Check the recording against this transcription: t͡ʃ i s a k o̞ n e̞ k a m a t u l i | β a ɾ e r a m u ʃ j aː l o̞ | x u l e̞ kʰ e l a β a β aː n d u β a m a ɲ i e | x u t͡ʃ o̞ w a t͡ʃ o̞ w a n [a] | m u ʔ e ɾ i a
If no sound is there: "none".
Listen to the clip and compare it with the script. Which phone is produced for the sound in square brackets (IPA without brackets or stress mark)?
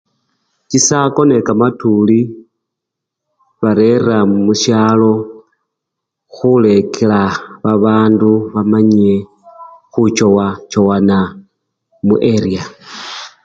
a